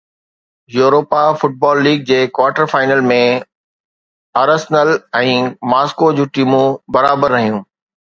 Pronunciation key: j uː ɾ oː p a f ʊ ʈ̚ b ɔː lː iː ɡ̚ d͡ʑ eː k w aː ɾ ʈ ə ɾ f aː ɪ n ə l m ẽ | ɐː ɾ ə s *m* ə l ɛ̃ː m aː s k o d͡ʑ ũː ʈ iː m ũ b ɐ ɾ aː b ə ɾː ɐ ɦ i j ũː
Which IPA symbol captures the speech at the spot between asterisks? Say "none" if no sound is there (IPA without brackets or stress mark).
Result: n